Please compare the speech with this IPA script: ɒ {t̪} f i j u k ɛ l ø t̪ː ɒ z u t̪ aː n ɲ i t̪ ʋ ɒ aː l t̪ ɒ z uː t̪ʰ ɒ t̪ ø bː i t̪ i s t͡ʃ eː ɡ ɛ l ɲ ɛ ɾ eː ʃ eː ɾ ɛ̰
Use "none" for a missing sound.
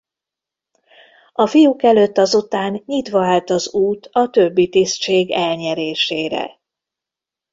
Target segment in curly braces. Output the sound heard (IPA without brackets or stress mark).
none